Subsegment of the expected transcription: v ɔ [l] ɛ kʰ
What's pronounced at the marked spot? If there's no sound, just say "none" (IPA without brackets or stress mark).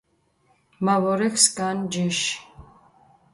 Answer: ɾ